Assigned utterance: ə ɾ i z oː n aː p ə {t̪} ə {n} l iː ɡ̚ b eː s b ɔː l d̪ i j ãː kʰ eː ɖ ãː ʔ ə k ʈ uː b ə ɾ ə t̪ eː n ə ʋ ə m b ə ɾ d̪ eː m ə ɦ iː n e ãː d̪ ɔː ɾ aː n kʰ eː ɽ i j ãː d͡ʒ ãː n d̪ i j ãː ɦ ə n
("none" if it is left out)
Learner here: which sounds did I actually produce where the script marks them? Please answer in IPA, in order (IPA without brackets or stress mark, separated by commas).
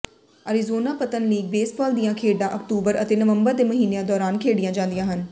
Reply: t̪, n